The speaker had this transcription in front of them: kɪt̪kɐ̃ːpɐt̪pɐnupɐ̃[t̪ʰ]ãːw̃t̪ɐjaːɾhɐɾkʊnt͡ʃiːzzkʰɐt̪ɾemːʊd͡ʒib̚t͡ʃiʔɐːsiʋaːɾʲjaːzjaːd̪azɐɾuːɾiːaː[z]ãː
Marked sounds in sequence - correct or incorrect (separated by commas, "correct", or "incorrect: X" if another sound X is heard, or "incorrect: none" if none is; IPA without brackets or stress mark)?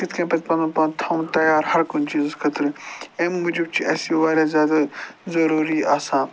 correct, incorrect: s